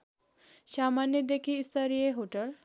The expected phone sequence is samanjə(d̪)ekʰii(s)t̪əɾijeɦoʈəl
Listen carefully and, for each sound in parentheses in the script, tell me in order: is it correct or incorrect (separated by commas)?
correct, correct